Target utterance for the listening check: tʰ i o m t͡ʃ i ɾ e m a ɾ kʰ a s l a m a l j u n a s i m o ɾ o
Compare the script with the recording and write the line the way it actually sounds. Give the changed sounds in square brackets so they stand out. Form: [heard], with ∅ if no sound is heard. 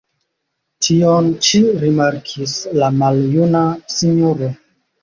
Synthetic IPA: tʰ i o [n] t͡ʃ i ɾ [i] m a ɾ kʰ [i] s l a m a l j u n a s i [ɲ] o ɾ o